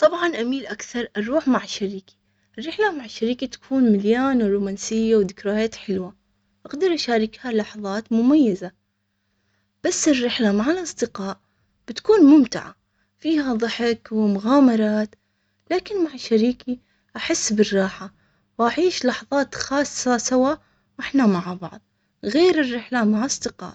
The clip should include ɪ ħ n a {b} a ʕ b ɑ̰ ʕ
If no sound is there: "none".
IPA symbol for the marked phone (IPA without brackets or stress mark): m